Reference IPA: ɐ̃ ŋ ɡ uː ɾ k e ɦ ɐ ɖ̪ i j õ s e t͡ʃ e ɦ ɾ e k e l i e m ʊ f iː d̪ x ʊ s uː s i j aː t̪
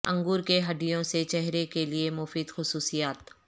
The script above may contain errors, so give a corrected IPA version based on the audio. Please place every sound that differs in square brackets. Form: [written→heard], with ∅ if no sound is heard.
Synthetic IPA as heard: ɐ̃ ŋ ɡ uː ɾ k e ɦ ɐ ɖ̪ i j õ s e t͡ʃ [e→ɛ] ɦ ɾ e k e l i e m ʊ f iː d̪ x ʊ s uː s i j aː t̪